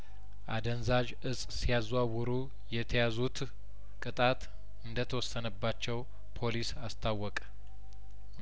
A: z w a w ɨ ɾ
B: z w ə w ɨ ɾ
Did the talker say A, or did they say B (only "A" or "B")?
A